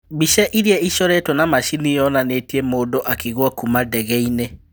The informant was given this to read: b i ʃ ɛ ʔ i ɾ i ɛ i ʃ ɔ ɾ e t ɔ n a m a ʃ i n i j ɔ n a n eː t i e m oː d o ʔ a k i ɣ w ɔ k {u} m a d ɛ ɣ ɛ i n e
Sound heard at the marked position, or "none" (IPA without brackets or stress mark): u